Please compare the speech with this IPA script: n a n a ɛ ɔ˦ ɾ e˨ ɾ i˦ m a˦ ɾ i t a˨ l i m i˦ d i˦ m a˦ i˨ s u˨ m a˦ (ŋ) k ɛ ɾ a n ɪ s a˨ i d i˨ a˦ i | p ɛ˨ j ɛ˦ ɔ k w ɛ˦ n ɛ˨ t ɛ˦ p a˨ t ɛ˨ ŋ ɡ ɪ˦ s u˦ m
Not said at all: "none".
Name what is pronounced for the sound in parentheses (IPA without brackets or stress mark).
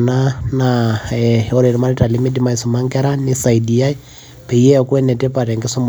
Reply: ŋ